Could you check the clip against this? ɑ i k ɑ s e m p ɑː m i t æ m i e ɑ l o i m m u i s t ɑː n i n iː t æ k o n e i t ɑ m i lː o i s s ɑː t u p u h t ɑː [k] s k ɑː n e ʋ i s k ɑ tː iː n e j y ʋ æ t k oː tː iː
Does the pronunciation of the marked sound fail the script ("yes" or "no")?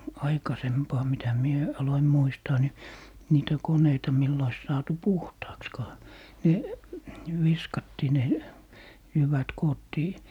no